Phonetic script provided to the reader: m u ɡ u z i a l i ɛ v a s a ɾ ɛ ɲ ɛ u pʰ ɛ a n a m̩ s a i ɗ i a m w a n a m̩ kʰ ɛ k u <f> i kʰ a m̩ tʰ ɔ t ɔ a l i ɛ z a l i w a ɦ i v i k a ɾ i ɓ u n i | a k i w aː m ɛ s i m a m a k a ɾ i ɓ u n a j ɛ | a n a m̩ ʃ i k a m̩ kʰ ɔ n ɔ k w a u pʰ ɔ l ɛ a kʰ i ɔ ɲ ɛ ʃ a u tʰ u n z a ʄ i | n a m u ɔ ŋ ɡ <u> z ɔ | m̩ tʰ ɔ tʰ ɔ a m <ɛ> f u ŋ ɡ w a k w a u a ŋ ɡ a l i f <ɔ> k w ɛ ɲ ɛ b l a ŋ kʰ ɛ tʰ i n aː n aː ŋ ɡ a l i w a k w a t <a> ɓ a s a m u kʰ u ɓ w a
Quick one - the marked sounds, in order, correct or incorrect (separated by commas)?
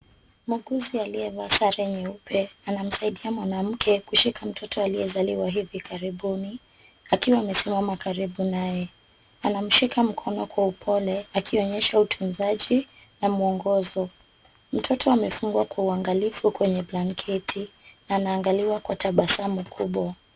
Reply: incorrect, incorrect, correct, incorrect, correct